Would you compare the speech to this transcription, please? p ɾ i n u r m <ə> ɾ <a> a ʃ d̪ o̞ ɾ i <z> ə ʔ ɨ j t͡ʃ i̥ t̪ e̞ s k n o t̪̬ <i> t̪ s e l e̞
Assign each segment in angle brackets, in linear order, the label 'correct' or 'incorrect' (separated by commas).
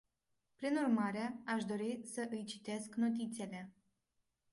incorrect, incorrect, incorrect, correct